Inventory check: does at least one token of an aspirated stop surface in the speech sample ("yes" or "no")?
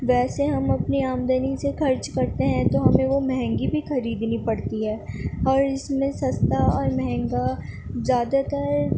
no